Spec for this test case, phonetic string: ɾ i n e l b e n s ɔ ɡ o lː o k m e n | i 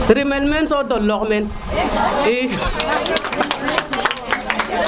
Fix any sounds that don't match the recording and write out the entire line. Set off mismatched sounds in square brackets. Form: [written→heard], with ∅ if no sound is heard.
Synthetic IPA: ɾ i [n→m] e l [b→m] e n s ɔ [ɡ→d] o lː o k m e n | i